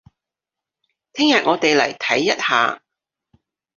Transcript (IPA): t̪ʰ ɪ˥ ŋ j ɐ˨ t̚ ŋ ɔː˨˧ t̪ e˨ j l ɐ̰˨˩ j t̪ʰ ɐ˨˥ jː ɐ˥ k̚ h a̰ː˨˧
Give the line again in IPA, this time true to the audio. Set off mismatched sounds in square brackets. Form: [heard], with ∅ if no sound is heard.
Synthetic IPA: t̪ʰ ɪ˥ ŋ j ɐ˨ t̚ ŋ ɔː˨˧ t̪ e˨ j l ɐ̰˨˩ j t̪ʰ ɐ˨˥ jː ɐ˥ [t̚] h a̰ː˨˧